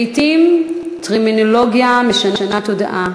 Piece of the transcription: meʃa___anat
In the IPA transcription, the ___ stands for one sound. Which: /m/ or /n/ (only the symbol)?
n